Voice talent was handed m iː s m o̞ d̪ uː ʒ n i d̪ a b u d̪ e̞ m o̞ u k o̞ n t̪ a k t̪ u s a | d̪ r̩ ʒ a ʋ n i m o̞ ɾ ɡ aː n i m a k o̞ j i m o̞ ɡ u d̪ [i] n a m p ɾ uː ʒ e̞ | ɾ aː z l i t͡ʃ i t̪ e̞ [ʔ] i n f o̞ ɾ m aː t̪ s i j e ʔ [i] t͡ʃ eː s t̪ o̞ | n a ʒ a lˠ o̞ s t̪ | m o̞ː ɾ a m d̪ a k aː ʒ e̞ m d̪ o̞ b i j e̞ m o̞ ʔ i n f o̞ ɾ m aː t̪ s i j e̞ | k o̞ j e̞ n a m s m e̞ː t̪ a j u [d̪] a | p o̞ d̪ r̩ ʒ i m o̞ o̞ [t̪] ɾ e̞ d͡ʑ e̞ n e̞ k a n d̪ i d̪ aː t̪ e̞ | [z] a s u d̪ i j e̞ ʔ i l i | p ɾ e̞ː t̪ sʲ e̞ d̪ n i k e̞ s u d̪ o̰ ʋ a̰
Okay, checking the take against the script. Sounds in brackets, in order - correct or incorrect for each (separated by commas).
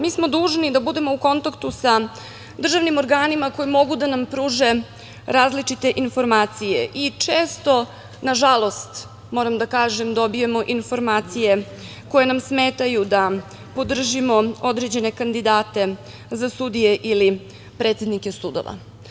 incorrect, correct, correct, correct, incorrect, correct